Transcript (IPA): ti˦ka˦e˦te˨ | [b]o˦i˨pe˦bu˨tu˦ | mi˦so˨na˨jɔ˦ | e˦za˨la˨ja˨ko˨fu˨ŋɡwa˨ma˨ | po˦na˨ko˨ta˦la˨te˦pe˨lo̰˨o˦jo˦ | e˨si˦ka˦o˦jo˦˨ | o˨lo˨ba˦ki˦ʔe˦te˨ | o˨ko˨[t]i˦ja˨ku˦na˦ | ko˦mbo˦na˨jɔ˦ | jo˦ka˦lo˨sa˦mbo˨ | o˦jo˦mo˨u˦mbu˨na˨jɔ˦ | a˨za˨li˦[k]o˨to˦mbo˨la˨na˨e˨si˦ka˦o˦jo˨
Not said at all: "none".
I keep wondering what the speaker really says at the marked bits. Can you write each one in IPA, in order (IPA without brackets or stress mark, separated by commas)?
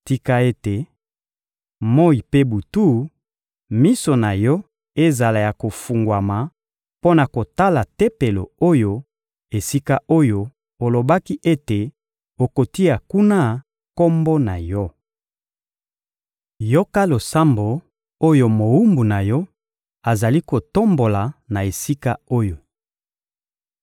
m, t, k